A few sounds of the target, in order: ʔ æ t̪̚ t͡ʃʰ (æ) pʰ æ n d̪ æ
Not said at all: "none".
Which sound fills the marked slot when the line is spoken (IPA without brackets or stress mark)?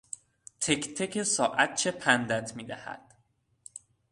e